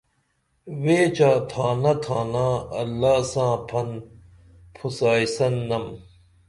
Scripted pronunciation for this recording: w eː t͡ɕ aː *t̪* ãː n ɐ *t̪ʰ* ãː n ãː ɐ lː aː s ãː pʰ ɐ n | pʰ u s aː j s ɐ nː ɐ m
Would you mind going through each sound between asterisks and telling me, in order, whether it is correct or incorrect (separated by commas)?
incorrect, correct